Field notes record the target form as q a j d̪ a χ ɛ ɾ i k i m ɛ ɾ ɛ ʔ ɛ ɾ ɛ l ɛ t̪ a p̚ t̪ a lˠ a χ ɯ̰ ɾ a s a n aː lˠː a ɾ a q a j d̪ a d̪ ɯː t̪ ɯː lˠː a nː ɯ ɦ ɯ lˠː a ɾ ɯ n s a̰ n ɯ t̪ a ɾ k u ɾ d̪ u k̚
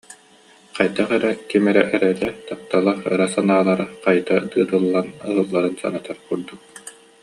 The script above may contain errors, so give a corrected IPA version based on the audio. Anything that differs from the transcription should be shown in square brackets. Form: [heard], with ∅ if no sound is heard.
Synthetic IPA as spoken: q a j d̪ a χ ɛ ɾ [ɛ] k i m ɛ ɾ ɛ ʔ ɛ ɾ ɛ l ɛ t̪ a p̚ t̪ a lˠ a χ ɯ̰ ɾ a s a n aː [lˠ] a ɾ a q a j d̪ a d̪ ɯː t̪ [ɯ] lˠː a [n] ɯ ɦ ɯ lˠː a ɾ ɯ n s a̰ n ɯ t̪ a ɾ k u ɾ d̪ u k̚